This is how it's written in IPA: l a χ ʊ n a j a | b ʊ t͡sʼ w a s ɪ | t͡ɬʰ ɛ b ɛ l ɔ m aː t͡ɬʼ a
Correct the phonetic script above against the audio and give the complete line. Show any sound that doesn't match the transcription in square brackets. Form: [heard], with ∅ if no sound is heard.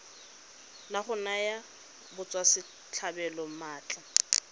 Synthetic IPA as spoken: l a χ ʊ n a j a | b ʊ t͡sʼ w a s ɪ | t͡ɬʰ [a] b ɛ l ɔ m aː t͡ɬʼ a